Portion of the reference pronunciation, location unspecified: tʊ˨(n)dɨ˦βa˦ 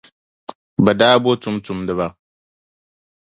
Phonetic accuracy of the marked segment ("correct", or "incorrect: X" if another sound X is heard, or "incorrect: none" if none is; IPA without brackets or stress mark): incorrect: m